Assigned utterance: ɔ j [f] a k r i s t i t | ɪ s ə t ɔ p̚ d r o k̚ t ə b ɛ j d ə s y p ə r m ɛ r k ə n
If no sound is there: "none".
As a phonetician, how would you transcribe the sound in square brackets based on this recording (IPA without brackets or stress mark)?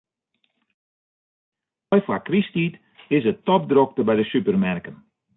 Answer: f